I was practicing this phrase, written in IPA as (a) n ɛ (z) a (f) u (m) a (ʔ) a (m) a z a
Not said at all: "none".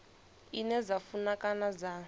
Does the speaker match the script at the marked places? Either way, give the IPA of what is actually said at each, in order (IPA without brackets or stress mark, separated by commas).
i, z, f, n, k, n